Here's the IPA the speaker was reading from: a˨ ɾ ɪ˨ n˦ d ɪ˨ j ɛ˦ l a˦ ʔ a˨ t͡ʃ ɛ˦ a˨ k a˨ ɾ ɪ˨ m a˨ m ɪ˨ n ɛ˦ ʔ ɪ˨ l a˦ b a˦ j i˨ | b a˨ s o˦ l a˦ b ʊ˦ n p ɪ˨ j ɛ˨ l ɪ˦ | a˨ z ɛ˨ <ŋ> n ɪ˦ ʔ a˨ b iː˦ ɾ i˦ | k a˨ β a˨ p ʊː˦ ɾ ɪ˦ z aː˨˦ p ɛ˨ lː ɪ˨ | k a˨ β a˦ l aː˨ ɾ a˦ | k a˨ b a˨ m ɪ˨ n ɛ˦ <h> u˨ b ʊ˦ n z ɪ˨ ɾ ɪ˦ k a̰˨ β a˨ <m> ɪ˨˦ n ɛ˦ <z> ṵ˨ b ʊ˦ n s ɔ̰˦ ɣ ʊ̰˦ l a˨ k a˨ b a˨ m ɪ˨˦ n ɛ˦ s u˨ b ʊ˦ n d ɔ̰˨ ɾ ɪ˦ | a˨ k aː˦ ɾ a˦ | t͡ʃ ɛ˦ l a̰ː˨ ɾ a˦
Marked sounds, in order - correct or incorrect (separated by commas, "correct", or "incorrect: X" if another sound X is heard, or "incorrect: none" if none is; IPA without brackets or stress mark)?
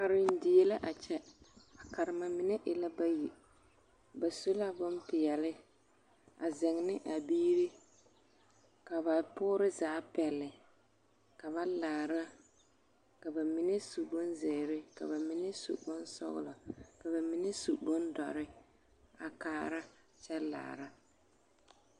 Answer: correct, incorrect: s, correct, incorrect: s